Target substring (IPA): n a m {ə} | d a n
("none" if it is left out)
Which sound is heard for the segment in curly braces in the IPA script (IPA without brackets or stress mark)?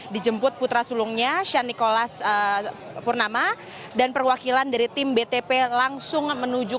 a